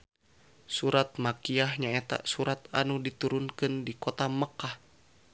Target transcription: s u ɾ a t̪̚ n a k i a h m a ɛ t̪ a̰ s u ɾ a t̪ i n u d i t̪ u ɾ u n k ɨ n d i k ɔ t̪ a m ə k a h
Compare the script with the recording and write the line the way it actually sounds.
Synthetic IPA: s u ɾ a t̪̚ m a k i a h ɲ a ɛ t̪ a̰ s u ɾ a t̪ a n u d i t̪ u ɾ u n k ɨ n d i k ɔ t̪ a m ə k a h